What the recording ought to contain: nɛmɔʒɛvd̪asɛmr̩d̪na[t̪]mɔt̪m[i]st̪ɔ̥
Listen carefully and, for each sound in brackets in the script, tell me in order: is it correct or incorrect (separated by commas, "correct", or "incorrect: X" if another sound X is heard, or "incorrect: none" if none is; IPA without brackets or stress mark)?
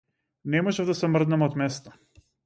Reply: incorrect: none, incorrect: ɛ